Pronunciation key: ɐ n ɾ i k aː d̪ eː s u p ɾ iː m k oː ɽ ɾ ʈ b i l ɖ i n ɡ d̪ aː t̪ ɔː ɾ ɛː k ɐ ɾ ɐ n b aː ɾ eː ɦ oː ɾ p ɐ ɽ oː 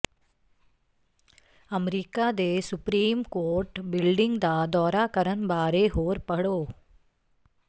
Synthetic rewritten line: ɐ m ɾ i k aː d̪ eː s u p ɾ iː m k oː ɾ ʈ b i l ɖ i ŋ ɡ d̪ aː d̪ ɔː ɾ aː k ɐ ɾ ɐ n b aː ɾ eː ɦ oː ɾ p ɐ ɽ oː